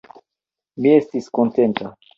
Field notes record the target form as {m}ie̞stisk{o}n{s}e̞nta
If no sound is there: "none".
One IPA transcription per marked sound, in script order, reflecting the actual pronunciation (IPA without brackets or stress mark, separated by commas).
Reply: m, o, t